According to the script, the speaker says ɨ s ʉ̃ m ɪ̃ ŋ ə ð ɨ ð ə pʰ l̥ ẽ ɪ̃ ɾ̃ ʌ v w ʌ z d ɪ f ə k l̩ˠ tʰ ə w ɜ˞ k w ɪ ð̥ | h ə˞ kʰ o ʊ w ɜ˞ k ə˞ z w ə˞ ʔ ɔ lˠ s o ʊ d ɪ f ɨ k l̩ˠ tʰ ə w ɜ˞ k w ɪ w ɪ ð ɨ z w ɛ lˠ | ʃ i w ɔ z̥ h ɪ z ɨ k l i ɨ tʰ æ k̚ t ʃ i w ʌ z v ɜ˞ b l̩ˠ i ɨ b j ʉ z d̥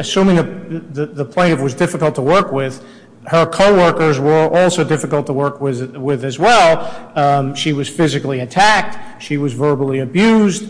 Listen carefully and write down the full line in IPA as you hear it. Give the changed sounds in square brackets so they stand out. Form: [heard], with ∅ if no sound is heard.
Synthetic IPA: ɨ s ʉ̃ m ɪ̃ ŋ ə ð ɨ ð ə pʰ l̥ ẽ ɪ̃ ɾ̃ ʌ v w ʌ z d ɪ f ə k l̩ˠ tʰ ə w ɜ˞ k w ɪ ð̥ | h ə˞ kʰ o ʊ w ɜ˞ k ə˞ z w ə˞ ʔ ɔ lˠ s o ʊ d ɪ f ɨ k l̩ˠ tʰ ə w ɜ˞ k w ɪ w ɪ ð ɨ z w ɛ lˠ | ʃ i w [ʌ] z̥ [f] ɪ z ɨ k l i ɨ tʰ æ k̚ t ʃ i w ʌ z v ɜ˞ b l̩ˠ i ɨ b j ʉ z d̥